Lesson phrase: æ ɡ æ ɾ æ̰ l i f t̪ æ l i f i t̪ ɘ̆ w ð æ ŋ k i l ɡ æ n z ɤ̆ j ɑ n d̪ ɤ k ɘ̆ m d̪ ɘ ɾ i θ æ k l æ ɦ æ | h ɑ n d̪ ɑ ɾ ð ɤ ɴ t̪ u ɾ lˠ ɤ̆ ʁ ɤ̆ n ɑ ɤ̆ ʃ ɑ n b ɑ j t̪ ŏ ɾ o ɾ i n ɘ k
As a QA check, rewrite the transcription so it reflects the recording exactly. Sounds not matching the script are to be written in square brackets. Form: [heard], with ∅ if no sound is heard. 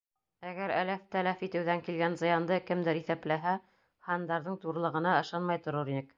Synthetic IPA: æ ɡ æ ɾ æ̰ l [æ] f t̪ æ l [æ] f i t̪ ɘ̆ w ð æ ŋ k i l ɡ æ n z ɤ̆ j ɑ n d̪ ɤ k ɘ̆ m d̪ ɘ ɾ i θ æ [p] l æ ɦ æ | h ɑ n d̪ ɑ ɾ ð ɤ ɴ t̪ u ɾ lˠ ɤ̆ ʁ ɤ̆ n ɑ ɤ̆ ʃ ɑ n [m] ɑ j t̪ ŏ ɾ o ɾ i n ɘ k